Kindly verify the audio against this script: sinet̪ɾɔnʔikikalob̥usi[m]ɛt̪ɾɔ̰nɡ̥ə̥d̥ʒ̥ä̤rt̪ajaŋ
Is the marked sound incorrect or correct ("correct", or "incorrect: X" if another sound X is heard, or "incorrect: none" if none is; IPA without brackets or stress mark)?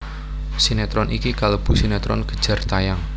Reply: incorrect: n